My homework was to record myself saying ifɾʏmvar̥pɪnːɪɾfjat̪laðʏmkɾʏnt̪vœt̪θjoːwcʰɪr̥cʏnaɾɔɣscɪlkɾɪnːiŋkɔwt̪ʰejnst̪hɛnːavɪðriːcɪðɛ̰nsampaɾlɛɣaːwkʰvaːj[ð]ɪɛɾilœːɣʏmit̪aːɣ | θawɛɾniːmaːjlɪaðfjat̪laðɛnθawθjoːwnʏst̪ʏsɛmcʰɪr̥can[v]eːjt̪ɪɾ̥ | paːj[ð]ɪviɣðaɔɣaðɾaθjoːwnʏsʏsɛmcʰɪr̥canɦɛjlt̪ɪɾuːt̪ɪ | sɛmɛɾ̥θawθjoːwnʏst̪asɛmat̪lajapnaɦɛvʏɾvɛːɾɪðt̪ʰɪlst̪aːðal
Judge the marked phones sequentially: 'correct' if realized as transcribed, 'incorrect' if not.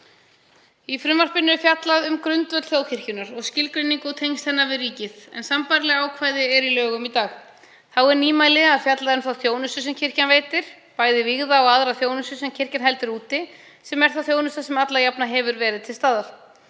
correct, correct, correct

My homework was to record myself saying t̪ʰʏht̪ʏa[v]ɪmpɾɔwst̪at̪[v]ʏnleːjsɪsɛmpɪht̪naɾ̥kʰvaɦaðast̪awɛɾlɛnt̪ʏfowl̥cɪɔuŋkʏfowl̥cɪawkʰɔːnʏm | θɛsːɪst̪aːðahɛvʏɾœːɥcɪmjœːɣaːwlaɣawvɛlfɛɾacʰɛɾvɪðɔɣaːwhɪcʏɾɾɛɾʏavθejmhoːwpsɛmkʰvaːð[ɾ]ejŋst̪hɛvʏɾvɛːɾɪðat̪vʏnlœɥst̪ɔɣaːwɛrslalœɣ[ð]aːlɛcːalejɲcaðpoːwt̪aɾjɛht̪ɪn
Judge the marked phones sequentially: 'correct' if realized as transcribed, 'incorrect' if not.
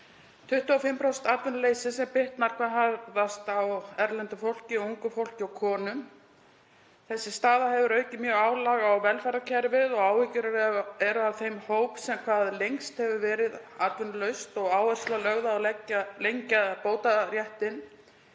incorrect: f, correct, incorrect: l, correct

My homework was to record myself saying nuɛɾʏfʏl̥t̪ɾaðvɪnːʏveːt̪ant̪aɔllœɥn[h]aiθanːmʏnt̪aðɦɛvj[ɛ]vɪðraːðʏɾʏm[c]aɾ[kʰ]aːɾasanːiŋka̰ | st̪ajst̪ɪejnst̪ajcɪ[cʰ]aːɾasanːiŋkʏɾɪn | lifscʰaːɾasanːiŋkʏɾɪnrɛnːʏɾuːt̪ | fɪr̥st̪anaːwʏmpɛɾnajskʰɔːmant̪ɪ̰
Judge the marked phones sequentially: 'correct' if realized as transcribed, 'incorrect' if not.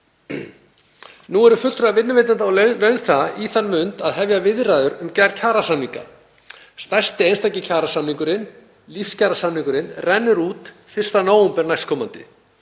incorrect: θ, incorrect: a, correct, incorrect: cʰ, correct

